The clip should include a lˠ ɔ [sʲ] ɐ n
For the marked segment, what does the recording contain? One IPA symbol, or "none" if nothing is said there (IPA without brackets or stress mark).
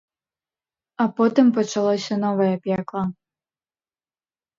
sʲ